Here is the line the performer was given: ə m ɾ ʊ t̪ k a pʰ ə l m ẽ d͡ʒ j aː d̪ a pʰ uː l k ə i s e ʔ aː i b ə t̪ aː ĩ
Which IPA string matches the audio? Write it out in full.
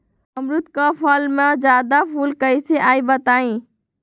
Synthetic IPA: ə m ɾ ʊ t̪ k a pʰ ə l m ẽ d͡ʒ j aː d̪ a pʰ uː l k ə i s e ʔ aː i b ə t̪ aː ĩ